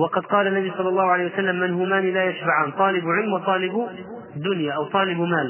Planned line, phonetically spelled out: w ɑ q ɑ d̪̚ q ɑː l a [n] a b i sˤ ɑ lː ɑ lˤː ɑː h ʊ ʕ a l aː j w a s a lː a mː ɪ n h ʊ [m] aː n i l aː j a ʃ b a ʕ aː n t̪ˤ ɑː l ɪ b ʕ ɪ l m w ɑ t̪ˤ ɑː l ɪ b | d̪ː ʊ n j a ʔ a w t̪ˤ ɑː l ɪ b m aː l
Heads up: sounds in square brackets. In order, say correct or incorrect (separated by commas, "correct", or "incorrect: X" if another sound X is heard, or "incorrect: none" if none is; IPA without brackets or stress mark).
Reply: incorrect: nː, correct